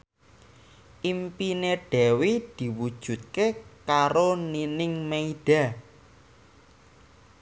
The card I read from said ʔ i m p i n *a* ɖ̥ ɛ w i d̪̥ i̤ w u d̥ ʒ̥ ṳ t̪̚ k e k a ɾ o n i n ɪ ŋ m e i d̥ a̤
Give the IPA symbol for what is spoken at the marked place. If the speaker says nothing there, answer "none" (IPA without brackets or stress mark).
e